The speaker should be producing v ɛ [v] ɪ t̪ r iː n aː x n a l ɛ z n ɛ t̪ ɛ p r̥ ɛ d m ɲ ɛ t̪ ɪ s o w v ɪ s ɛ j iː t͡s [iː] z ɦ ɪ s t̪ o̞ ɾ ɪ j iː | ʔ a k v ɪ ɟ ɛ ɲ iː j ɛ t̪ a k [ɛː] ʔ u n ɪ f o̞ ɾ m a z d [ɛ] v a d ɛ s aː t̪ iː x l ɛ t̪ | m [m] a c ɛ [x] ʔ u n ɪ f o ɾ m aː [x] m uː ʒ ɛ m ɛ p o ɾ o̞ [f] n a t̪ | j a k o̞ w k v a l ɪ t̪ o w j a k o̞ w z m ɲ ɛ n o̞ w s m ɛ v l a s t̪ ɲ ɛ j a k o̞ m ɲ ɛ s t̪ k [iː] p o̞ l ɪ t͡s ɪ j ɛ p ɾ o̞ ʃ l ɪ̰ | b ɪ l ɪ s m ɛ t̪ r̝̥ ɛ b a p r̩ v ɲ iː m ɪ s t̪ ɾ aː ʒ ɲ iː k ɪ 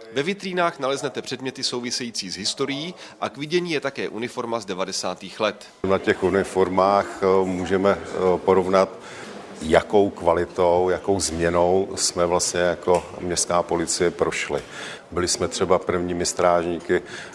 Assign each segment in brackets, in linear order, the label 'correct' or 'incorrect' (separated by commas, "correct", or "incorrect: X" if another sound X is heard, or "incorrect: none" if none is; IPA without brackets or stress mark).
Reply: correct, correct, correct, correct, incorrect: n, correct, correct, incorrect: v, incorrect: aː